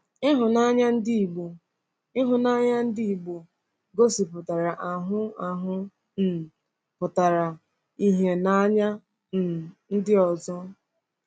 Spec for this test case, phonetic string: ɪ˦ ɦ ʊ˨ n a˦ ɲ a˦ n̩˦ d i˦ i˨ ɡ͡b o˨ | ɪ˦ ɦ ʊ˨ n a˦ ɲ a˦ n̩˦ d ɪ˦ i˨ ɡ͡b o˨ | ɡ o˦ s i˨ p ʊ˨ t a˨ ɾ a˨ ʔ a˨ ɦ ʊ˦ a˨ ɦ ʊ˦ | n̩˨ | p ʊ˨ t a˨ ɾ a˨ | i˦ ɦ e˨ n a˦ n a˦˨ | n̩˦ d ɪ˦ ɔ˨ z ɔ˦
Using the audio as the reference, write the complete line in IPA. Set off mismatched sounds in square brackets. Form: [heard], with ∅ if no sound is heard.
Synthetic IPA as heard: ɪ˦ ɦ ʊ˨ n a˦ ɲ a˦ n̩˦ d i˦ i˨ ɡ͡b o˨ | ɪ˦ ɦ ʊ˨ n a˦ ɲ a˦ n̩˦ d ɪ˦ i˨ ɡ͡b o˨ | ɡ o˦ s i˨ p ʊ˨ t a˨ ɾ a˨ ʔ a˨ ɦ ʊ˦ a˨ ɦ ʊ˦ | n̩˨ | p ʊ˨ t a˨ ɾ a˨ | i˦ ɦ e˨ n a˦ [ɲ] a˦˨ | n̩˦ d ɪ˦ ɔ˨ z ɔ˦